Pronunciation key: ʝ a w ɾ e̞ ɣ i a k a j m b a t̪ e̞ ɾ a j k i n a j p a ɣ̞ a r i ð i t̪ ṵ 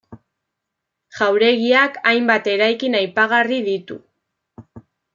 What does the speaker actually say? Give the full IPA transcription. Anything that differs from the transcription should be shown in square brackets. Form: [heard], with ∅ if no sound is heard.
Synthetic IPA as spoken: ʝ a w ɾ e̞ ɣ i a k a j m b a t̪ e̞ ɾ a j k i n a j p a ɣ̞ a r i ð i t̪ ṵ